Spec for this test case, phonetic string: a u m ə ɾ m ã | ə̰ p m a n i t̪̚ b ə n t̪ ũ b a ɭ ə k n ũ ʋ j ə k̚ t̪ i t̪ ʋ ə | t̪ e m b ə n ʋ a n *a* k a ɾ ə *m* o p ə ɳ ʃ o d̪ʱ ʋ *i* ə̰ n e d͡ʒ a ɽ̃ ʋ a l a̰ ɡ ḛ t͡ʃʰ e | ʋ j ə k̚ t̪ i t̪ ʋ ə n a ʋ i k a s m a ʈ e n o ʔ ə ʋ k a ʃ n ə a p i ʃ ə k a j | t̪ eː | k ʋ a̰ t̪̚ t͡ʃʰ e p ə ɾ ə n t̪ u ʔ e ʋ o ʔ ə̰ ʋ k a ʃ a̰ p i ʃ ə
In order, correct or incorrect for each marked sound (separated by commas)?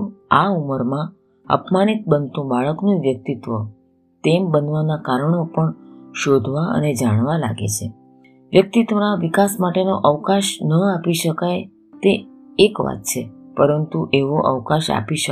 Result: correct, incorrect, incorrect